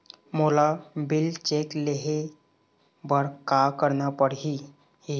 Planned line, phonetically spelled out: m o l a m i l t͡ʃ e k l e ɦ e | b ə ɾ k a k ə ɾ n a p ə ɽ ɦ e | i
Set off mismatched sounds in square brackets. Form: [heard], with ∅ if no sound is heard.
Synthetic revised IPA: m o l a [b] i l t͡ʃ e k l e ɦ e | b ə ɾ k a k ə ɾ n a p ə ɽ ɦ [i] | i